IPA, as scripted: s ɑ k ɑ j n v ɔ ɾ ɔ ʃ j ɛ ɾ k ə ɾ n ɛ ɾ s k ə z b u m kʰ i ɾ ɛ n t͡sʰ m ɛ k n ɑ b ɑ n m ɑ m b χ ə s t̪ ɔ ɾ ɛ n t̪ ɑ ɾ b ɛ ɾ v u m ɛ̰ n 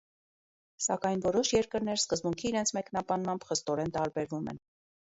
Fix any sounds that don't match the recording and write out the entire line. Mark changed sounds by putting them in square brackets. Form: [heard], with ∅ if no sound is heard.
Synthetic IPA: s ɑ k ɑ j n v ɔ ɾ ɔ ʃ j ɛ ɾ k ə ɾ n ɛ ɾ s k ə z b u [ŋ] kʰ [iː] ɾ ɛ n t͡sʰ m ɛ k n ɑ b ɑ n m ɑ m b χ ə s t̪ ɔ ɾ ɛ n t̪ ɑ ɾ b ɛ ɾ v u m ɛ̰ n